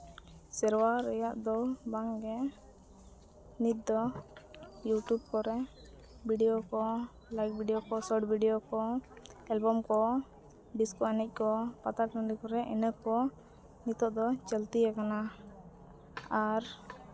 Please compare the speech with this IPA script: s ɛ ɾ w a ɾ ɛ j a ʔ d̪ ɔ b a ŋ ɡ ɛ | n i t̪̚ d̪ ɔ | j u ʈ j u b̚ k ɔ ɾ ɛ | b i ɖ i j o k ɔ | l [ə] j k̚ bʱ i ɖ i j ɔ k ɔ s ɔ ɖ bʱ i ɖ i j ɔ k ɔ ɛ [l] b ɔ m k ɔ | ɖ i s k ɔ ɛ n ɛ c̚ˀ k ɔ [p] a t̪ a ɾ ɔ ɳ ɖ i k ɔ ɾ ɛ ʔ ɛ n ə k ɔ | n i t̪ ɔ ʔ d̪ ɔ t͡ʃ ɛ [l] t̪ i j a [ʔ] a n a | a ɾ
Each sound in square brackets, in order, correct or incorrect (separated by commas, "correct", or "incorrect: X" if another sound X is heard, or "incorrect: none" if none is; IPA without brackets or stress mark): incorrect: a, correct, correct, correct, incorrect: k